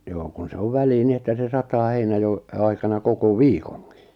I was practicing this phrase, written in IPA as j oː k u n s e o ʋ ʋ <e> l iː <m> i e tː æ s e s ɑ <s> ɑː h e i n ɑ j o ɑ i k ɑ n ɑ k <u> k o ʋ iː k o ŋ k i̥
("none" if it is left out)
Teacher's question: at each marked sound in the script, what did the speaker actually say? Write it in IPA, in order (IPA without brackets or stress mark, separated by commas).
æ, n, t, o